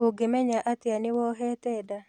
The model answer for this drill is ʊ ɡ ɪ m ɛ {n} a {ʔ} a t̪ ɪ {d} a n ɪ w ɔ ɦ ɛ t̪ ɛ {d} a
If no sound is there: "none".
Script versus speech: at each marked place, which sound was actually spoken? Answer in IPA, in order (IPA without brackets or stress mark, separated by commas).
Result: ɲ, ʔ, none, d